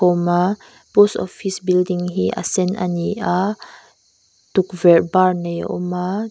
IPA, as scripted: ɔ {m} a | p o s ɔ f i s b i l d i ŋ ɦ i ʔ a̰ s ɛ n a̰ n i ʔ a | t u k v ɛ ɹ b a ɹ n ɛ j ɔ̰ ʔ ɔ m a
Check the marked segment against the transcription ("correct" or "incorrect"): correct